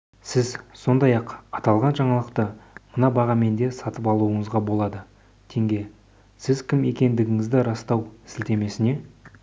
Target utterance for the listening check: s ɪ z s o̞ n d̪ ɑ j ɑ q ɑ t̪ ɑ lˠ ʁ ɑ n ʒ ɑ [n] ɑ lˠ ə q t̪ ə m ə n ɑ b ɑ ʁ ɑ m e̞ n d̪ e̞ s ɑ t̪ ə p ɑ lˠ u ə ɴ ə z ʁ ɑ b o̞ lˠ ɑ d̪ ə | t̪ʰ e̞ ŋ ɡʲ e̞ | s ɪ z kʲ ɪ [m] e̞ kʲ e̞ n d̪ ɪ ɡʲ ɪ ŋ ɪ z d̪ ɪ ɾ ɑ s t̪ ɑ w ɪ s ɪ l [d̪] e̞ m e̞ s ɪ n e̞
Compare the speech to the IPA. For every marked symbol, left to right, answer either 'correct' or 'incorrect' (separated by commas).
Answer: incorrect, correct, incorrect